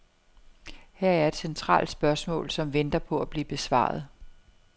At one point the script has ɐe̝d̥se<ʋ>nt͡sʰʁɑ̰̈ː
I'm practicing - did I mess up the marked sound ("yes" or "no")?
yes